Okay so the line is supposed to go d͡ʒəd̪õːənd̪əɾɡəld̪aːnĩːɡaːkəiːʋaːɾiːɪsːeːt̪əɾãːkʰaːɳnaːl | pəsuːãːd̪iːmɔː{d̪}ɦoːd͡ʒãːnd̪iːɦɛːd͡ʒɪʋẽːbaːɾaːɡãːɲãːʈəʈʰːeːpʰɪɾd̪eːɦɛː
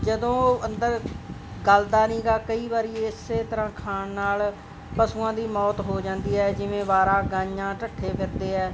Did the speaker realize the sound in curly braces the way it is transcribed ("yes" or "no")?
no